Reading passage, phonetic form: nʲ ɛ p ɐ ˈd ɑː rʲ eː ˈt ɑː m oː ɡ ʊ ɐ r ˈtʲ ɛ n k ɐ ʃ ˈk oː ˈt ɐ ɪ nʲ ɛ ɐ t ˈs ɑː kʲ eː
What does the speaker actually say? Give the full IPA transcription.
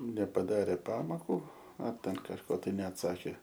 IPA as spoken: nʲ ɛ p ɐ ˈd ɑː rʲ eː ˈp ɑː m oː k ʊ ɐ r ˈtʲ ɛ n k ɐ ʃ ˈk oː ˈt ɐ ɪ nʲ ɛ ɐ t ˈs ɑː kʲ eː